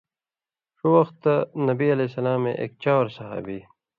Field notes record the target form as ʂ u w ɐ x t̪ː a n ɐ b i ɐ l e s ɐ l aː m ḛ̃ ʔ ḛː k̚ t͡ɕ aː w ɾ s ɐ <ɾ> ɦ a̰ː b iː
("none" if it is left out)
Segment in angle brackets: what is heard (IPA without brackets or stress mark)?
none